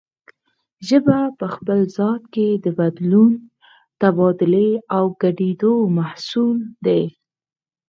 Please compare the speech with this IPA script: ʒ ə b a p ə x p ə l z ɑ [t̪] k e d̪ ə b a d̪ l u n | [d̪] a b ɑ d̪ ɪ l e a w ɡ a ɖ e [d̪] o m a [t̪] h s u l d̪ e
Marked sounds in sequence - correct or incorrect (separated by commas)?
correct, incorrect, correct, incorrect